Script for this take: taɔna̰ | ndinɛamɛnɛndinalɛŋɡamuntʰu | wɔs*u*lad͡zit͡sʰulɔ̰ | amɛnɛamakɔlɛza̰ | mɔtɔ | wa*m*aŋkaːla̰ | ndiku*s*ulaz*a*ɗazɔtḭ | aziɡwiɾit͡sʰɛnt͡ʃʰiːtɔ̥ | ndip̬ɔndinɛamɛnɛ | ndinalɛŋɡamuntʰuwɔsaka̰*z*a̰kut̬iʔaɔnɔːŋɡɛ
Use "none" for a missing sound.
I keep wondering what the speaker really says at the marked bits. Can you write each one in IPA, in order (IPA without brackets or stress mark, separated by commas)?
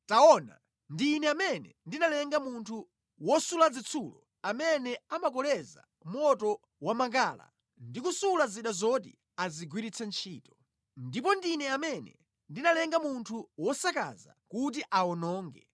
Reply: u, m, s, i, z